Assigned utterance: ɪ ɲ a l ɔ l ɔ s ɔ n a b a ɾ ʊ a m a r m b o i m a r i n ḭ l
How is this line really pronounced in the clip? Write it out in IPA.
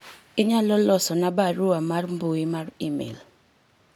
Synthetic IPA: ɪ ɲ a l ɔ l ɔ s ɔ n a b a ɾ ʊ a m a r m b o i m a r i m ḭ l